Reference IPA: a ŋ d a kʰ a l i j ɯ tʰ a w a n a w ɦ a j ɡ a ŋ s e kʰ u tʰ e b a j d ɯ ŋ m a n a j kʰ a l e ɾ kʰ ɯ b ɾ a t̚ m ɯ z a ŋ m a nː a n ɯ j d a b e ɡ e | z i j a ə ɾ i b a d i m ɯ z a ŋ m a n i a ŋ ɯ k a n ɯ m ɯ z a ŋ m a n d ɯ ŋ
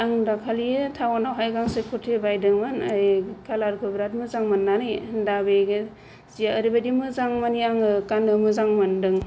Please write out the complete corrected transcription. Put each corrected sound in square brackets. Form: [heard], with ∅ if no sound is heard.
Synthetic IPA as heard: a ŋ d a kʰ a l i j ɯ tʰ a w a n a w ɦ a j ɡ a ŋ s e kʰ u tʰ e b a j d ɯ ŋ m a n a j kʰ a l [a] ɾ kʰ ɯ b ɾ a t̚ m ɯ z a ŋ m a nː a n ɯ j d a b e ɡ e | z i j a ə ɾ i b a d i m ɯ z a ŋ m a n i a ŋ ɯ k a n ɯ m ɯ z a ŋ m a n d ɯ ŋ